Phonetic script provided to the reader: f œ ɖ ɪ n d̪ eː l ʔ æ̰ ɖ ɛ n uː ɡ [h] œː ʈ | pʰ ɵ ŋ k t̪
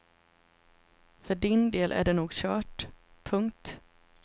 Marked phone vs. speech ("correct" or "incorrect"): incorrect